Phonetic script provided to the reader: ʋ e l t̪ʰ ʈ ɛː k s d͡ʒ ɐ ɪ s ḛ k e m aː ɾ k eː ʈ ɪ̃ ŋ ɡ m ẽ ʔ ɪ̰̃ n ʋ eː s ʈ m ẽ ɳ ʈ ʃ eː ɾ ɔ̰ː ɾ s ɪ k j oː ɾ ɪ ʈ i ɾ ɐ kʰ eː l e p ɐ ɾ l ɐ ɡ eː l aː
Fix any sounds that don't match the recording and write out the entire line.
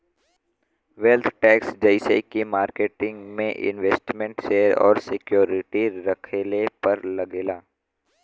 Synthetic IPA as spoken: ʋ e l t̪ʰ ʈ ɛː k s d͡ʒ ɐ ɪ s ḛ k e m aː ɾ k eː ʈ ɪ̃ ŋ ɡ m ẽ ʔ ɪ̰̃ n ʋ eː s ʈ m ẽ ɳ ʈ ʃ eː ɾ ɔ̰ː ɾ s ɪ k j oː ɾ ɪ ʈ i ɾ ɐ kʰ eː l e p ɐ ɾ l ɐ ɡ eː l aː